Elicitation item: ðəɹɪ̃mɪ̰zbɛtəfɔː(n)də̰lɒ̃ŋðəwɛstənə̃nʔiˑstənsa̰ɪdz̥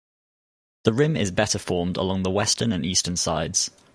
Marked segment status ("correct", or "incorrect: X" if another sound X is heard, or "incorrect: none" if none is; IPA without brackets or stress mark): incorrect: m